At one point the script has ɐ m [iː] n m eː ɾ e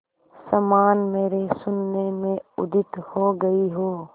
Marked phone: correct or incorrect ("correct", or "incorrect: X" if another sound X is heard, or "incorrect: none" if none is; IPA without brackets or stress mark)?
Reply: incorrect: aː